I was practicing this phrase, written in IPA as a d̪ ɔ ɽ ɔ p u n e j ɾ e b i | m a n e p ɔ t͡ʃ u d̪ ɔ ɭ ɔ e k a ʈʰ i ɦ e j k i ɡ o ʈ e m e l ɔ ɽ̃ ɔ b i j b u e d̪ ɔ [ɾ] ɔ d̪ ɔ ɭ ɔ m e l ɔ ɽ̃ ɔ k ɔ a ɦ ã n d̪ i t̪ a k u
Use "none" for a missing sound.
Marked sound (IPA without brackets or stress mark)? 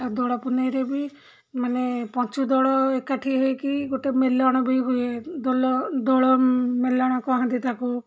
l